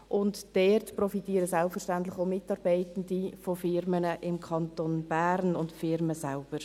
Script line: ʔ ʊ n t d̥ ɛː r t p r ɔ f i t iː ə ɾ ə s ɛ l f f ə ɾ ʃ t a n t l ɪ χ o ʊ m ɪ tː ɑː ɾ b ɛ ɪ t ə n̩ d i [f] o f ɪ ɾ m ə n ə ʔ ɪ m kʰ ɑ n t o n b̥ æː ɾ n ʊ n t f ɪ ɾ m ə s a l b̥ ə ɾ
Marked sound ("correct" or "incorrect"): correct